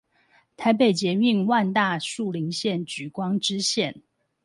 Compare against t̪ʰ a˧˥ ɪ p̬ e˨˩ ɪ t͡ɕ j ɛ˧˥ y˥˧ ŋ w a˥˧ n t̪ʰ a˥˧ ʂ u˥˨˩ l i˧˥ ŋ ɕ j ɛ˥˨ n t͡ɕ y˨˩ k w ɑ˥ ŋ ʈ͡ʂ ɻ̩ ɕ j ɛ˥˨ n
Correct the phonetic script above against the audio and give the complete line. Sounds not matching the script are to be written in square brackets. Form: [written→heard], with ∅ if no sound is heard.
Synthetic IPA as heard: t̪ʰ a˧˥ ɪ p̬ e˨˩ ɪ t͡ɕ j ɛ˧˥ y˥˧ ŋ w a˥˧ n [t̪ʰ→t̪] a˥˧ ʂ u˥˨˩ l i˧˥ ŋ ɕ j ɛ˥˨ n t͡ɕ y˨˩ k w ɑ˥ ŋ ʈ͡ʂ ɻ̩ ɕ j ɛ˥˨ n